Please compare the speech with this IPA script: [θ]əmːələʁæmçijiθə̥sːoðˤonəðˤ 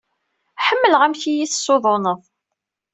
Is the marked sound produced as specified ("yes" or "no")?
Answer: no